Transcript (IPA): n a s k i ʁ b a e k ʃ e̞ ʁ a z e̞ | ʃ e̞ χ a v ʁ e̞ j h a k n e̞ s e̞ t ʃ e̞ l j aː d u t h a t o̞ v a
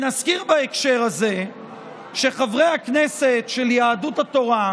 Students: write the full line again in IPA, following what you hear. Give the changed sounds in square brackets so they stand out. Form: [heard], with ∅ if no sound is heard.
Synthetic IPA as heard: n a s k i ʁ b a e k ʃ e̞ ʁ a z e̞ | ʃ e̞ χ a v ʁ e̞ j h a k n e̞ s e̞ t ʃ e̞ l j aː d u t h a t o̞ [ʁ] a